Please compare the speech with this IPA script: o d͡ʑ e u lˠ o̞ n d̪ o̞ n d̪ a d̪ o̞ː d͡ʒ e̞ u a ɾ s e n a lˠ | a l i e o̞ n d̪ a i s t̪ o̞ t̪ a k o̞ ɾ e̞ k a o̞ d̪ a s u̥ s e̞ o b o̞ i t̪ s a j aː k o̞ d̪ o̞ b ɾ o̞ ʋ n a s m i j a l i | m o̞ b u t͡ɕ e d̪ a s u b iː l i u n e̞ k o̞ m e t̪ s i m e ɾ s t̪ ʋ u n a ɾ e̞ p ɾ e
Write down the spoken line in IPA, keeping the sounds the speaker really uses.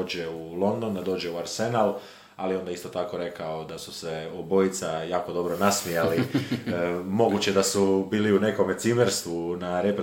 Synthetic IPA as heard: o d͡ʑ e u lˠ o̞ n d̪ o̞ n d̪ a d̪ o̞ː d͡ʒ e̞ u a ɾ s e n a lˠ | a l i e o̞ n d̪ a i s t̪ o̞ t̪ a k o̞ ɾ e̞ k a o̞ d̪ a s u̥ s e̞ o b o̞ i t̪ s a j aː k o̞ d̪ o̞ b ɾ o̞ n a s m i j a l i | m o̞ ɡ u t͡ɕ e d̪ a s u b iː l i u n e̞ k o̞ m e t̪ s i m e ɾ s t̪ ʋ u n a ɾ e̞ p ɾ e